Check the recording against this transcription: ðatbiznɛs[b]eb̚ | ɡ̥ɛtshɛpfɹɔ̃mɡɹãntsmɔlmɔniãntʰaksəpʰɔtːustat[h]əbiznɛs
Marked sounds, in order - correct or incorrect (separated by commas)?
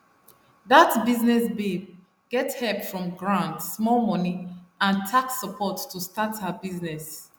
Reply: correct, correct